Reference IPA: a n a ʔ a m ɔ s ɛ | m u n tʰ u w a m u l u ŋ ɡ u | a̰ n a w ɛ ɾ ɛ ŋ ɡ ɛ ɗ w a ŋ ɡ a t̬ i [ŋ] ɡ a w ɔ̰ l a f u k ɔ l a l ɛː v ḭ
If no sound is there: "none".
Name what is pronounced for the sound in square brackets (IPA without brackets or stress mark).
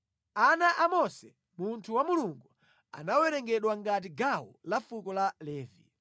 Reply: none